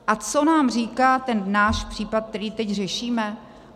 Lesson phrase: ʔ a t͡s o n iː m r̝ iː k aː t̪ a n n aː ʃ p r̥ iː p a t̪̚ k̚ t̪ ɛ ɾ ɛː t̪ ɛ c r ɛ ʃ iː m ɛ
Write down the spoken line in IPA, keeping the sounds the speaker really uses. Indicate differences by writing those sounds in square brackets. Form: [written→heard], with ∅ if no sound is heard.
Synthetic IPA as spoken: ʔ a t͡s o n [iː→aː] m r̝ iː k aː t̪ [a→ɛ] n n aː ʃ p r̥ iː p a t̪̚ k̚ t̪ ɛ ɾ [ɛː→iː] t̪ ɛ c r ɛ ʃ iː m ɛ